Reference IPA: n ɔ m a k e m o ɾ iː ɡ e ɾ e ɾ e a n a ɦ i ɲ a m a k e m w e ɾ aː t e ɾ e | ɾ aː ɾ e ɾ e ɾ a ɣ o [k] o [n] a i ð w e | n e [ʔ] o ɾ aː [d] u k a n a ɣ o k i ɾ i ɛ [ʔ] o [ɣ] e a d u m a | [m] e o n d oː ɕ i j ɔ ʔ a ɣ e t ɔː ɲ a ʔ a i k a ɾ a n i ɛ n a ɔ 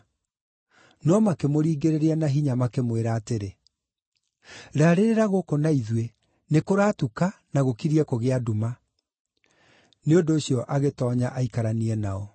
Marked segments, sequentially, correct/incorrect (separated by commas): correct, correct, incorrect, incorrect, incorrect, correct, incorrect